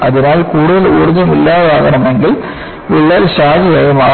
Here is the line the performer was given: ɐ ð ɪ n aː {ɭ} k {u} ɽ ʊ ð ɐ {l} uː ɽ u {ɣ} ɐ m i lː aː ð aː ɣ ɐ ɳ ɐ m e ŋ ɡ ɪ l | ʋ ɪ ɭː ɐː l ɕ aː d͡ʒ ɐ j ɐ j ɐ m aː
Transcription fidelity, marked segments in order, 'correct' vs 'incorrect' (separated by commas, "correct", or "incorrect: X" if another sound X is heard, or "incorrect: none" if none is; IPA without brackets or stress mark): incorrect: l, incorrect: uː, correct, incorrect: ð